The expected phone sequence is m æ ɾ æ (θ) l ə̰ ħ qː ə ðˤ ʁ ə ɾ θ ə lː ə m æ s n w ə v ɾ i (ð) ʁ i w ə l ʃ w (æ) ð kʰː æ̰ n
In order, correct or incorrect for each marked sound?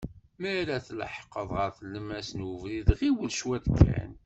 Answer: correct, correct, correct

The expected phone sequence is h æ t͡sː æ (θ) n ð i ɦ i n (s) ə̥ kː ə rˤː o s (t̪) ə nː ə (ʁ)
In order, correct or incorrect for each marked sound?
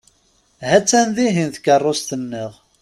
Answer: incorrect: none, incorrect: θ, correct, correct

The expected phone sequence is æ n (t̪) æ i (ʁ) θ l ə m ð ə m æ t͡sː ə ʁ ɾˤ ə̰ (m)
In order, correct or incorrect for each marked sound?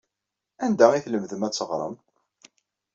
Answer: incorrect: d̪, incorrect: none, correct

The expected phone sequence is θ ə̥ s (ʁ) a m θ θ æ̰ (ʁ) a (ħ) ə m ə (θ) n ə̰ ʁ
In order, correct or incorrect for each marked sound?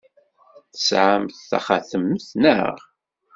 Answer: incorrect: ʕ, incorrect: χ, incorrect: θ, correct

